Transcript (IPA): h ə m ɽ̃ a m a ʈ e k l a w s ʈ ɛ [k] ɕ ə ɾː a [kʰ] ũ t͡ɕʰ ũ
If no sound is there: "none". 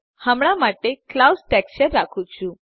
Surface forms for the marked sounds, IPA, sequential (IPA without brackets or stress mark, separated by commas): k, kʰ